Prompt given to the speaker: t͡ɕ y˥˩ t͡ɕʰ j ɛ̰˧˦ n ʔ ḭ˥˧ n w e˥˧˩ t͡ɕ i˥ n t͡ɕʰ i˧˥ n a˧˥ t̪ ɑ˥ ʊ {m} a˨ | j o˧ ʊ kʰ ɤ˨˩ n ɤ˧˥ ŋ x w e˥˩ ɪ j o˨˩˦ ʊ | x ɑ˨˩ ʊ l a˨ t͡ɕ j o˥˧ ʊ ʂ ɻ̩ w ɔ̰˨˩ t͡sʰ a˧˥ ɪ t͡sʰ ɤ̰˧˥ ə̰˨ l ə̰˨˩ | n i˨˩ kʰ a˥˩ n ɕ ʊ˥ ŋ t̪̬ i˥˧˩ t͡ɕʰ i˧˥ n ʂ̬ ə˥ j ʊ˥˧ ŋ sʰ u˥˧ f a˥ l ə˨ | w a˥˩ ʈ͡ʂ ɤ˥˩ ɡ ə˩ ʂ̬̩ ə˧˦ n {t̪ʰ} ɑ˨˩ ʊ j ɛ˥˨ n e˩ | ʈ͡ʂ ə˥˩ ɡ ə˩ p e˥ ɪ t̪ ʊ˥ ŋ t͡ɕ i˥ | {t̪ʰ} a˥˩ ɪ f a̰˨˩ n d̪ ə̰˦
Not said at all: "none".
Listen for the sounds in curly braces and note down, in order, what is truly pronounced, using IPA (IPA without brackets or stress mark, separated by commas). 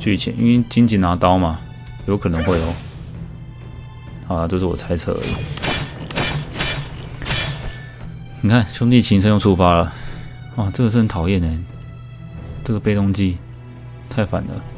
m, t̪ʰ, t̪ʰ